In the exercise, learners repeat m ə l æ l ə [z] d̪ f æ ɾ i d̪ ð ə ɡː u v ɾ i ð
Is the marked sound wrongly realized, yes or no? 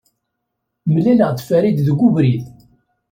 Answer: yes